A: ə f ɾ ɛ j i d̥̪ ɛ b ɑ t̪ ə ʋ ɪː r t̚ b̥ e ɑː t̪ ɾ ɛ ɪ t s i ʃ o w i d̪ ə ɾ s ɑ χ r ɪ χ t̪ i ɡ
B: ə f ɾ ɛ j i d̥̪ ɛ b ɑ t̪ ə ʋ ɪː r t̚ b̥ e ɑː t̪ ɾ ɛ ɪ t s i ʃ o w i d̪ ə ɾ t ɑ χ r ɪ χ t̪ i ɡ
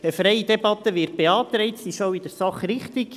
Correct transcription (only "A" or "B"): A